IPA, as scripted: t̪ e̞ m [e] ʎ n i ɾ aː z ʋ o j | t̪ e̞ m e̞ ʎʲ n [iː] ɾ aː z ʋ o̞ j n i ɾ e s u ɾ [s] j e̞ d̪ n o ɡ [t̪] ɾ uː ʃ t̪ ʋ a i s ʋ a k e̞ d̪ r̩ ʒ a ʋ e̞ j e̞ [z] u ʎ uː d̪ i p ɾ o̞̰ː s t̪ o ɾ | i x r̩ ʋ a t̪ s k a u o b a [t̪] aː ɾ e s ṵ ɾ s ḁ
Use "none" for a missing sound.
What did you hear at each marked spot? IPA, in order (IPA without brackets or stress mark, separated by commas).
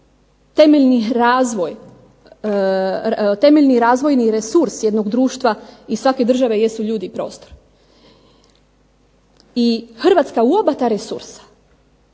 e, i, s, d̪, s, t̪